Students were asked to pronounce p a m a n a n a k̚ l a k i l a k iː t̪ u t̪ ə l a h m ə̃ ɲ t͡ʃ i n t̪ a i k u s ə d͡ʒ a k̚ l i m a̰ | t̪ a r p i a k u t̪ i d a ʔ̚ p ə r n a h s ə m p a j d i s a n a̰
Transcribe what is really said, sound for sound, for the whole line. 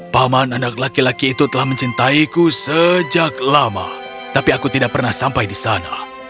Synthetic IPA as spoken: p a m a n a n a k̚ l a k i l a k iː t̪ u t̪ ə l a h m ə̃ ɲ t͡ʃ i n t̪ a i k u s ə d͡ʒ a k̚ l a m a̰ | t̪ a p i a k u t̪ i d a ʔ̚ p ə r n a h s a m p a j d i s a n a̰